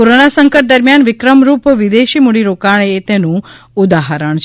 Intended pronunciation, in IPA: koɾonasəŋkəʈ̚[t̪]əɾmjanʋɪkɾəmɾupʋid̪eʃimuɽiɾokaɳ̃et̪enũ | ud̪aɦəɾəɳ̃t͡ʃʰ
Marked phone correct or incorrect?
incorrect